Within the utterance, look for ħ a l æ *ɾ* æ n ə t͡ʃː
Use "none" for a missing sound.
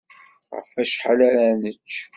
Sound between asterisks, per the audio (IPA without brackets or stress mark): ɾ